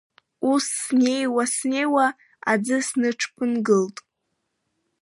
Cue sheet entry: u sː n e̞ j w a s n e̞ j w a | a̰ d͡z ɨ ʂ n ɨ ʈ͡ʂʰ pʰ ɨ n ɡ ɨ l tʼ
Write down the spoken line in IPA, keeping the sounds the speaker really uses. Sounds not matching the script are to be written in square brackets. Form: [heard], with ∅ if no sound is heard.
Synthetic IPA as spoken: u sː n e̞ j w a s n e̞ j w a | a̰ d͡z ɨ [s] n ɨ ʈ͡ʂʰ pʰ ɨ n ɡ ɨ l tʼ